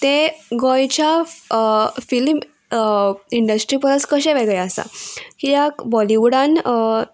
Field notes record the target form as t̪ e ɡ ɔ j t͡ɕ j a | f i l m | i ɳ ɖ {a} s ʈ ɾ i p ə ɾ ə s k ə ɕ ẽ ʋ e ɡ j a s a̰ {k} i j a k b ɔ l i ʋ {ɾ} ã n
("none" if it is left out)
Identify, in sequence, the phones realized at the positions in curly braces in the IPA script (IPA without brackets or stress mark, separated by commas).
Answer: ə, k, ɽ